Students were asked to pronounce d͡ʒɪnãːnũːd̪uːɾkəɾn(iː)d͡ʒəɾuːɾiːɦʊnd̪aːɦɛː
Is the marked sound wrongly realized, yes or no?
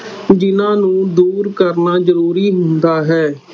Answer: yes